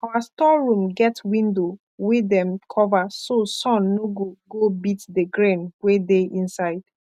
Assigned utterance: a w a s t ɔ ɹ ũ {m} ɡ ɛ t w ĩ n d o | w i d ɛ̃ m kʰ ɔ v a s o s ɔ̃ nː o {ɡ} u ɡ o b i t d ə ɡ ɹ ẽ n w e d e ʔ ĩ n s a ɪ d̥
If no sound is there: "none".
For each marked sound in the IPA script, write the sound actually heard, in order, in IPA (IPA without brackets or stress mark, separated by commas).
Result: m, ɡ